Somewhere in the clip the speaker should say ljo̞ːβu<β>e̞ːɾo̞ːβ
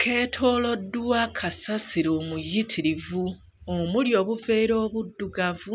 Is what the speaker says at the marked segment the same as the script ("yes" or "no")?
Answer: no